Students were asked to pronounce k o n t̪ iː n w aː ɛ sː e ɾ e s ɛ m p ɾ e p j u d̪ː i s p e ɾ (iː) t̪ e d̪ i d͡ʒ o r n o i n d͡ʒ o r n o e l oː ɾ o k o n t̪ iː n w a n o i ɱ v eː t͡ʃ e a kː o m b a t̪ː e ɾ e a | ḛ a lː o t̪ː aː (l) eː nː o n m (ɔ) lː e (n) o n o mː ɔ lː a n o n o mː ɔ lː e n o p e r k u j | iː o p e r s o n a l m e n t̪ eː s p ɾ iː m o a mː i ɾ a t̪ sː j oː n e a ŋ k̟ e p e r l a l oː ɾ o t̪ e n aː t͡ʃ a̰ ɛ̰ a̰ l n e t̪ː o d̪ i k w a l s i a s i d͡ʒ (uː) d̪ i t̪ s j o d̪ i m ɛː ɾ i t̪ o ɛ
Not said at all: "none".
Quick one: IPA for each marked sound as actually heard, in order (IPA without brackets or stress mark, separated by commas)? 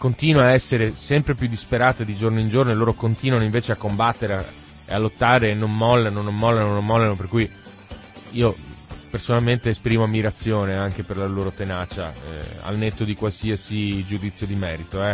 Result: aː, ɾ, ɔ, n, u